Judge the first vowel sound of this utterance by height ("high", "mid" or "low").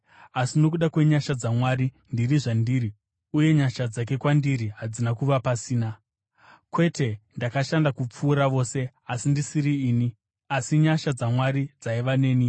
low